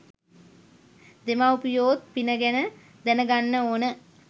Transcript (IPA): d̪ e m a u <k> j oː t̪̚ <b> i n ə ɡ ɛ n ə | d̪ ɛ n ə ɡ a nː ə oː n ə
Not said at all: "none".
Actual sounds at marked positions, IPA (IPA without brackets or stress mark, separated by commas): p, p